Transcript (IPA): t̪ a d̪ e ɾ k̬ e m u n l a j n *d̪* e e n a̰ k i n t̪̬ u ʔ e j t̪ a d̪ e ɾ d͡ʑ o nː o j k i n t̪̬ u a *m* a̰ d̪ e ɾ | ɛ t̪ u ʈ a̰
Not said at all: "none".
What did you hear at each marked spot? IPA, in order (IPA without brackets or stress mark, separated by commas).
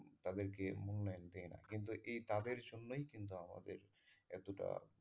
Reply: d̪, m